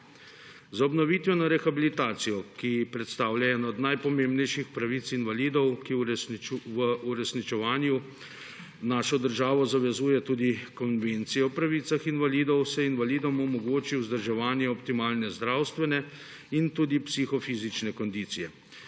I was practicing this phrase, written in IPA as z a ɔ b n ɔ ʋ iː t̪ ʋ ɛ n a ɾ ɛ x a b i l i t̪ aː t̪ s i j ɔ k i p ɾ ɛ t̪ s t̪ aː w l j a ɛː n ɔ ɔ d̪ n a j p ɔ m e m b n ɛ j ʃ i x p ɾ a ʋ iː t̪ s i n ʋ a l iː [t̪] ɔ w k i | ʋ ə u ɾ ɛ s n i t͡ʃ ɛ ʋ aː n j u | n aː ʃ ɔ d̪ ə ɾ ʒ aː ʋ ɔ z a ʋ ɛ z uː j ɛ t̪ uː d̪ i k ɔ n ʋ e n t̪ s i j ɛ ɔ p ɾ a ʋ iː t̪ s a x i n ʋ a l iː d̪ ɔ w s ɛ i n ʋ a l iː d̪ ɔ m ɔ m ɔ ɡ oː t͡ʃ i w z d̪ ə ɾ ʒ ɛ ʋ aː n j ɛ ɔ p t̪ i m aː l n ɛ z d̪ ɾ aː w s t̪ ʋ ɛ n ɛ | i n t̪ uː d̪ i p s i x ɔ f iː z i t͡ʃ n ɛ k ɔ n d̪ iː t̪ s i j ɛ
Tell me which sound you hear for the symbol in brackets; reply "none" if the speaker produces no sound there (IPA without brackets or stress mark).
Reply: d̪